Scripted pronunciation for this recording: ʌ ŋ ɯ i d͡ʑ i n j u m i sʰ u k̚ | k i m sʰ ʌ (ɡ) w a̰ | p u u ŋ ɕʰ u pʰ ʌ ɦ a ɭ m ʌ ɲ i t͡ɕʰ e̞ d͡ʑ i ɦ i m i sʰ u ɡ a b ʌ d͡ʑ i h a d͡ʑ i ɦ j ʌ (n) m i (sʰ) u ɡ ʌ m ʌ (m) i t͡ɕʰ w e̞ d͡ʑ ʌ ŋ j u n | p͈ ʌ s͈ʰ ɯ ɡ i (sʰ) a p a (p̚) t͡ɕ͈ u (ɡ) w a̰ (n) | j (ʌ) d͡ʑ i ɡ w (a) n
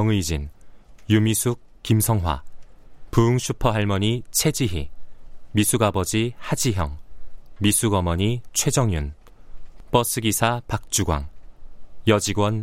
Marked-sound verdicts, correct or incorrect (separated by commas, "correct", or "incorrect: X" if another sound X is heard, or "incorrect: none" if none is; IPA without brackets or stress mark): incorrect: ŋ, incorrect: ŋ, correct, incorrect: ɲ, correct, incorrect: k̚, correct, incorrect: ŋ, correct, incorrect: ʌ